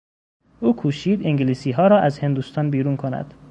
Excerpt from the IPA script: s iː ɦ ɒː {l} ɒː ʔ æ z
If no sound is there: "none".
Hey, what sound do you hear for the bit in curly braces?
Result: ɾ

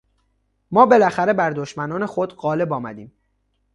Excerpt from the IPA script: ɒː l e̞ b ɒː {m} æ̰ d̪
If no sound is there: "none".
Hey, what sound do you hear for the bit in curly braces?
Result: m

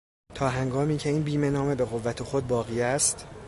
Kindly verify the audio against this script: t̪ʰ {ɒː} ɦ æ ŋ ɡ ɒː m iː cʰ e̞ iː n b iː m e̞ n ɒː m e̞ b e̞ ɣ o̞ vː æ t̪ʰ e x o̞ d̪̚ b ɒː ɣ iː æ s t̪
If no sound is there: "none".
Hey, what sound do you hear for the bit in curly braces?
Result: ɒː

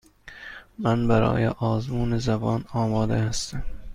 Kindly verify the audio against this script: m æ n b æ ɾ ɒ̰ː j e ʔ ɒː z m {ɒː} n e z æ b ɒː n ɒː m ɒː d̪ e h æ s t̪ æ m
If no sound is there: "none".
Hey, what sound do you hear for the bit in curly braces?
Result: uː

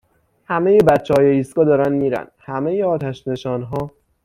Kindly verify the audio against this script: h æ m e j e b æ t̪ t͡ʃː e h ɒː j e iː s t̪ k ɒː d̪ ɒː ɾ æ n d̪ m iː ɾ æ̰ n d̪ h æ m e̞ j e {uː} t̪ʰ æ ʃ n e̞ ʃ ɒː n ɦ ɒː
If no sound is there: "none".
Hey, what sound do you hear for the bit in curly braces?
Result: ɒː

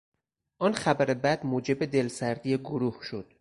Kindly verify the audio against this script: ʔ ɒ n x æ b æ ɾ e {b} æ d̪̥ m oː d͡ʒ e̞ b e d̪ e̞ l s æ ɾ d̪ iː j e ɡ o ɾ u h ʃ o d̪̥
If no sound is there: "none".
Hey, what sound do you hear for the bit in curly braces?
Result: b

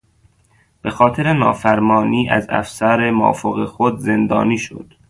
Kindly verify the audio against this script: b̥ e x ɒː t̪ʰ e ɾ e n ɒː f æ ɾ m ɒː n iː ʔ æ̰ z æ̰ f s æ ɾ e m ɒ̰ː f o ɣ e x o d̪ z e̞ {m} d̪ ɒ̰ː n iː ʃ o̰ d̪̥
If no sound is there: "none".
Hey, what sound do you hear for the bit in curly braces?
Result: n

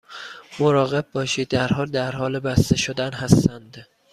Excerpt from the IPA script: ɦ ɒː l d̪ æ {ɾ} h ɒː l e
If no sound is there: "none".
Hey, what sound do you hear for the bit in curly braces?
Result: ɾ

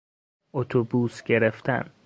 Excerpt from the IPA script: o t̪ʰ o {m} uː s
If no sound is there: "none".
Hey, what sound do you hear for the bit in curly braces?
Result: b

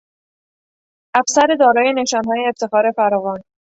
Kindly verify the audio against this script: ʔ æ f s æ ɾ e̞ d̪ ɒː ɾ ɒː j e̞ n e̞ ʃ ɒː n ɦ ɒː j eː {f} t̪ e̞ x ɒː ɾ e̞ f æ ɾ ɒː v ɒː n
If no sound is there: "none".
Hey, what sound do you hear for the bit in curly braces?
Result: f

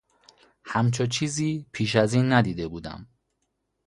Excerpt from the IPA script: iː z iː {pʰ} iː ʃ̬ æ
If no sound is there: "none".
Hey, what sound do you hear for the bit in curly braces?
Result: pʰ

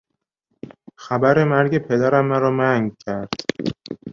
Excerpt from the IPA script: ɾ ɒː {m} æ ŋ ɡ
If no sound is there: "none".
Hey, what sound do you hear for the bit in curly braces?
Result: m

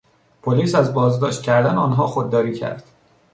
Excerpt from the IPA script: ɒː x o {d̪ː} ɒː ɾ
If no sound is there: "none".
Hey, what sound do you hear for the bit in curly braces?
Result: d̪ː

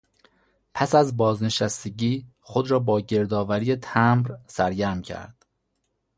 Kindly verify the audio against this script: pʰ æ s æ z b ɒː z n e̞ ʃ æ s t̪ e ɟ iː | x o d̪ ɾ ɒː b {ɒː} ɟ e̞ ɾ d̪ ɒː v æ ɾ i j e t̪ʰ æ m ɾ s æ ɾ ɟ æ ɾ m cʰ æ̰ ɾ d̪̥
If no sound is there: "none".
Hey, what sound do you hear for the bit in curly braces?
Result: ɒː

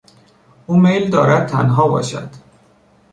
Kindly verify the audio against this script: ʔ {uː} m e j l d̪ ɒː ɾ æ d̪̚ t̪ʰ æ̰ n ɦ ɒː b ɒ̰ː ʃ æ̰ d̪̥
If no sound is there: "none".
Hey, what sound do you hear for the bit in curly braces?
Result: uː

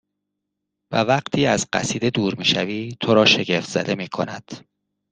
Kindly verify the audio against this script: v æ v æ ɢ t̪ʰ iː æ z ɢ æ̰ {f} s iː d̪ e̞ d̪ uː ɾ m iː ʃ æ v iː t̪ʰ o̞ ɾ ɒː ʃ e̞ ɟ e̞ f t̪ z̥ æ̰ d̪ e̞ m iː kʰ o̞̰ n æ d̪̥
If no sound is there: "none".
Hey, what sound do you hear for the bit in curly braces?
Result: none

